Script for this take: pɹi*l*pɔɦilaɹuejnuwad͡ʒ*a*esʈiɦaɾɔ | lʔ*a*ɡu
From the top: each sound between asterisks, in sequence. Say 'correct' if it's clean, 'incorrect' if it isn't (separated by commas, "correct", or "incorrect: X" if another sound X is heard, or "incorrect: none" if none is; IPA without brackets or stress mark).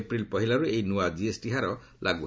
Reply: correct, incorrect: i, correct